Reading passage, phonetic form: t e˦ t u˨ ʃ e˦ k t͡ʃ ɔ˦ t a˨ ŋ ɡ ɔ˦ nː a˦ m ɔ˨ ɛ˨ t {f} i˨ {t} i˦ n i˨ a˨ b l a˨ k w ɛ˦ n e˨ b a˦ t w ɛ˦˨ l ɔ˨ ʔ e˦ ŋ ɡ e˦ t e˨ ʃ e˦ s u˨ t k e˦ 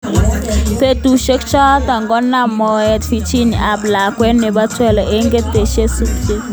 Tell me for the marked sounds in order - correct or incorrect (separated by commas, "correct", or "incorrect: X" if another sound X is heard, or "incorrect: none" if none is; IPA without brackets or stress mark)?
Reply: correct, incorrect: t͡ʃ